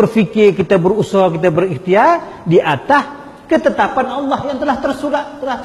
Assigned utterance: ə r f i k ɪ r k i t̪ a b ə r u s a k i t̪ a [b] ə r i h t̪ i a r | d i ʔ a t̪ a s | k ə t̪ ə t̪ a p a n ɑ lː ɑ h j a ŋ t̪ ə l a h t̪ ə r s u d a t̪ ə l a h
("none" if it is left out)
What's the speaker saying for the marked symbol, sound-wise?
b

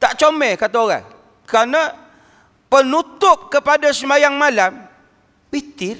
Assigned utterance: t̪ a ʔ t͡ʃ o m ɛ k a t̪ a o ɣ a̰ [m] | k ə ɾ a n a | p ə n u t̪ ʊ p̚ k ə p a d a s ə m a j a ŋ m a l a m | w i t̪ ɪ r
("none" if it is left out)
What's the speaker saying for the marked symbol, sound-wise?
ŋ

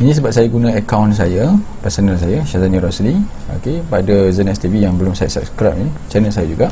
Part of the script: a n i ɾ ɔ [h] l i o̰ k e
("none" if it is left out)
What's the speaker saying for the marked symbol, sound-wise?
s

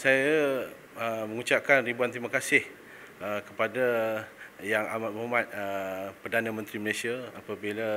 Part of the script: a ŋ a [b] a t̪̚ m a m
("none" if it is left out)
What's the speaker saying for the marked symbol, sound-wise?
m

